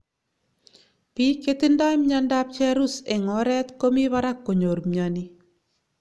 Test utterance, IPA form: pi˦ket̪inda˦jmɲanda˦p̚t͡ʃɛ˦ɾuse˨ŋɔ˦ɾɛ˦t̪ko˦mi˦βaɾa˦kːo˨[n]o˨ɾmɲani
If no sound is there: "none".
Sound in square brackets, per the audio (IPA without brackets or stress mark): ɲ